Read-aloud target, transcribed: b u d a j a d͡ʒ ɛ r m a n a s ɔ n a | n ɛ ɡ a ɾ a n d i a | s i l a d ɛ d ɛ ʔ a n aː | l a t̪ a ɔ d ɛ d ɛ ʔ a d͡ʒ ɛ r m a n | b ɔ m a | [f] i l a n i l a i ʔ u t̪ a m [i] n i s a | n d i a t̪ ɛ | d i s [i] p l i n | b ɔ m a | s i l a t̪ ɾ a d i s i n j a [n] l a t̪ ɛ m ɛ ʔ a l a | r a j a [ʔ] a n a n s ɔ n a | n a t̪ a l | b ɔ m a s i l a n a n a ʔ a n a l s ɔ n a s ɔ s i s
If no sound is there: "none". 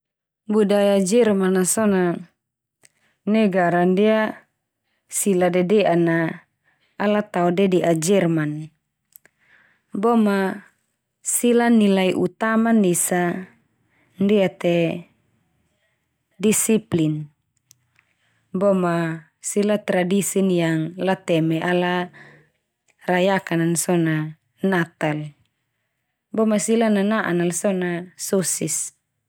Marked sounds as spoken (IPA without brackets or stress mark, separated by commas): s, a, i, ŋ, k